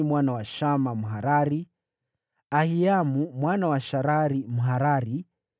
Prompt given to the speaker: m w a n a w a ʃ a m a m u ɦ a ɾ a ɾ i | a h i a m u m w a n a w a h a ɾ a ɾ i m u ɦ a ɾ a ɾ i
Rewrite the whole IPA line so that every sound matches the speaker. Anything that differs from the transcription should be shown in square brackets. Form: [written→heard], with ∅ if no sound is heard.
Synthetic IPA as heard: m w a n a w a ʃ a m a m u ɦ a ɾ a ɾ i | a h i a m u m w a n a w a [h→ʃ] a ɾ a ɾ i m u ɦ a ɾ a ɾ i